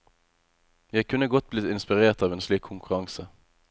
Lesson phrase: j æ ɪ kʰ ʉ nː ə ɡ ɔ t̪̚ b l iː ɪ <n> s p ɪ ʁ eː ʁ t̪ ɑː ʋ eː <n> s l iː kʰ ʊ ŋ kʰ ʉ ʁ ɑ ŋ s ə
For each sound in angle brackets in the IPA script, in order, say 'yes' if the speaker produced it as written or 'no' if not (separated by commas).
yes, yes